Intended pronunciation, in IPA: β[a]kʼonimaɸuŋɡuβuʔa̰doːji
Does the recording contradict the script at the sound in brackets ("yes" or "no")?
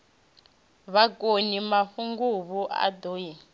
no